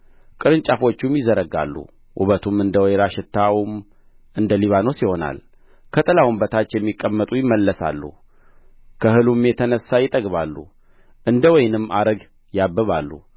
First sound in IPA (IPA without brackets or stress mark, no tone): kʼ